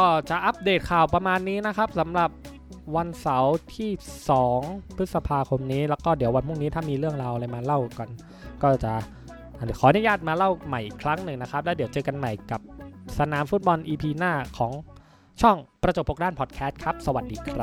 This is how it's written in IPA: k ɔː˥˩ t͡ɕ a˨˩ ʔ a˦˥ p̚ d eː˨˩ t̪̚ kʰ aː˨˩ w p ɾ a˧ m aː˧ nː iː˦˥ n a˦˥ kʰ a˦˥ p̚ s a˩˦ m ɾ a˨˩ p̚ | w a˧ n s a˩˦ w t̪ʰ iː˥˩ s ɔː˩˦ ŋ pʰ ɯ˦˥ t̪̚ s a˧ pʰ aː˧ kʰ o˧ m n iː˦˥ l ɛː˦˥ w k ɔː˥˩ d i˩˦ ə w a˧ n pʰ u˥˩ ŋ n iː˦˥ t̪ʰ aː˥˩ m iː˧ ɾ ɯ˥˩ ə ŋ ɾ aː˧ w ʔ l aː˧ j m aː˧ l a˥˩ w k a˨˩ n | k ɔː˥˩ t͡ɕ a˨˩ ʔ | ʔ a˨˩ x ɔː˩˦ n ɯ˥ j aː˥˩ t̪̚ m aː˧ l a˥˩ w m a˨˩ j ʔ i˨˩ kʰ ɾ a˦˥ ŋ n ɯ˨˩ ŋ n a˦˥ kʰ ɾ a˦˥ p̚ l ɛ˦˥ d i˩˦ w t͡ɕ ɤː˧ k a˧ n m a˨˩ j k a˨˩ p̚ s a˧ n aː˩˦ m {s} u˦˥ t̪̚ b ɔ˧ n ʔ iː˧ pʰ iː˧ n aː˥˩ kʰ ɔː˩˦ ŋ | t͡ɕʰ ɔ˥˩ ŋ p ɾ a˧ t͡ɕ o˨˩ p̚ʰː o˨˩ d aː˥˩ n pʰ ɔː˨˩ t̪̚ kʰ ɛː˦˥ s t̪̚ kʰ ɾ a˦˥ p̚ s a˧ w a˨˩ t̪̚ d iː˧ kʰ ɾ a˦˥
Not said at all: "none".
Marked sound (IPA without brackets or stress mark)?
f